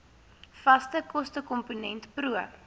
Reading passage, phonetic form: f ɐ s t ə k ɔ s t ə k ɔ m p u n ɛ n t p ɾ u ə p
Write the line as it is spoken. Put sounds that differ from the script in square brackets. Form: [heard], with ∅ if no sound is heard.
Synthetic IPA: f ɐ s t ə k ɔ s t ə k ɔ m p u n ɛ n t p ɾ u ə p